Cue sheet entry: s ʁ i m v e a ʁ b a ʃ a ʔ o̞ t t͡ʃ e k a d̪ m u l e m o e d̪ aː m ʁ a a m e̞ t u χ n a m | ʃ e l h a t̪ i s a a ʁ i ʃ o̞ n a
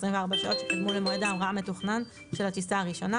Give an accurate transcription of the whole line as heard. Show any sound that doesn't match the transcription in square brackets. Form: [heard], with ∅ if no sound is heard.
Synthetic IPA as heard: s ʁ i m v e a ʁ b a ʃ a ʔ o̞ t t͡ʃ e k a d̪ m u l e m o e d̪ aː m ʁ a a m e̞ t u χ n a [n] | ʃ e l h a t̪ i s a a ʁ i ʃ o̞ n a